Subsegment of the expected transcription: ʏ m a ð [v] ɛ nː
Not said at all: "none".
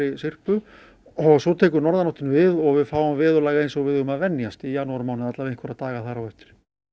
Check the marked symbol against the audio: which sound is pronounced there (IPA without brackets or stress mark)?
v